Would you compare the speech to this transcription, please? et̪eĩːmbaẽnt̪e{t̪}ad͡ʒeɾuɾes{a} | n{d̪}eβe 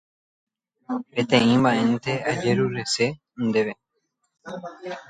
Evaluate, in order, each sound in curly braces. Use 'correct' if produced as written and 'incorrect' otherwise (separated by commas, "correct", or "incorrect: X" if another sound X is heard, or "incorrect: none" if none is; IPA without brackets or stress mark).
incorrect: none, incorrect: e, correct